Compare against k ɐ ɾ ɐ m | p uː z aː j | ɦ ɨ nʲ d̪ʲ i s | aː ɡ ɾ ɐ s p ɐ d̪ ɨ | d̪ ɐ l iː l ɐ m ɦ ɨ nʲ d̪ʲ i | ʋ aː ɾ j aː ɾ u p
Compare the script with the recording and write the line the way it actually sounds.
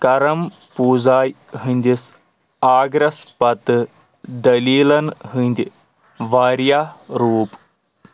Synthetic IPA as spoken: k ɐ ɾ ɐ m | p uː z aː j | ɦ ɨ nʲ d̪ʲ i s | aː ɡ ɾ ɐ s p ɐ t̪ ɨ | d̪ ɐ l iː l ɐ n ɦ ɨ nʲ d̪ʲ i | ʋ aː ɾ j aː ɾ uː p